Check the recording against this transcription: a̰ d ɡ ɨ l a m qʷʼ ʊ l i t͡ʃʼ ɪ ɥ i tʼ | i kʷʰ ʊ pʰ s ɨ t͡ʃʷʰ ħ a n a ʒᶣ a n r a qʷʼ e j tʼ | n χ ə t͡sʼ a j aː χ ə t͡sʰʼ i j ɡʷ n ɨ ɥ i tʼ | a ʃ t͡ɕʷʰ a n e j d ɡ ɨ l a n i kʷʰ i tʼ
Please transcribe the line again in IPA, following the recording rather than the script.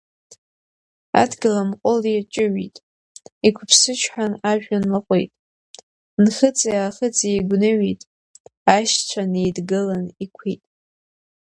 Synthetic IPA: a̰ d ɡ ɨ l a m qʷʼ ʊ l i t͡ʃʼ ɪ ɥ i tʼ | i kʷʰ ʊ pʰ s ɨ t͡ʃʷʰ ħ a n a ʒᶣ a n l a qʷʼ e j tʼ | n χ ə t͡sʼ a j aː χ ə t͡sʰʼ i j ɡʷ n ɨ ɥ i tʼ | a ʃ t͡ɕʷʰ a n e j d ɡ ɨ l a n i kʷʰ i tʼ